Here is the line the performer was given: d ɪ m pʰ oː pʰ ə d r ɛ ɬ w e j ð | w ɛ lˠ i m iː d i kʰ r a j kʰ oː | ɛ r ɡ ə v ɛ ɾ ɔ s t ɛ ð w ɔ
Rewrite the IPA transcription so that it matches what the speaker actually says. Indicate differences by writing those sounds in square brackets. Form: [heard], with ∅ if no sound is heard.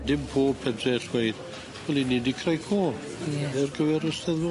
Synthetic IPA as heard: d ɪ m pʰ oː pʰ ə d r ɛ ɬ w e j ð | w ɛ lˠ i [n] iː d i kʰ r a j kʰ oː | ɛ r ɡ ə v ɛ ɾ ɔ s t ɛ ð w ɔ